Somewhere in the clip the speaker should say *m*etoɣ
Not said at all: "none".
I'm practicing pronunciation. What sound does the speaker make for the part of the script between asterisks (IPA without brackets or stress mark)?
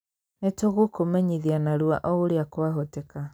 n